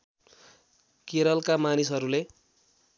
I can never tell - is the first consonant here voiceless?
yes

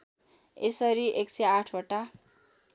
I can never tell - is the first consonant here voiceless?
yes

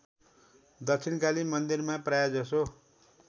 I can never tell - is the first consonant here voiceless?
no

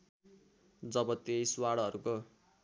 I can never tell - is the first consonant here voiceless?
no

